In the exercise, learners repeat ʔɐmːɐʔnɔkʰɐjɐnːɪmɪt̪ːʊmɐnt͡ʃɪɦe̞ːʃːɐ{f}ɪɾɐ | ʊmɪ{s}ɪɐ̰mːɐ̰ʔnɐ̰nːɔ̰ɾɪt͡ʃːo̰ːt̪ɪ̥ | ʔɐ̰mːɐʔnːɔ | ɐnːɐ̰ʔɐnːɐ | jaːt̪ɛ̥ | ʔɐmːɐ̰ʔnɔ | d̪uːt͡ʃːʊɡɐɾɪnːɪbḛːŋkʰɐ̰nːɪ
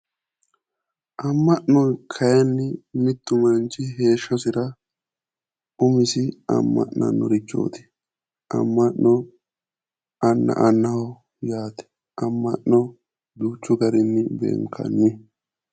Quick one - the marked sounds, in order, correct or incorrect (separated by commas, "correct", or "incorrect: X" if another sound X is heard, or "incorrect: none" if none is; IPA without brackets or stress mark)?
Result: incorrect: s, correct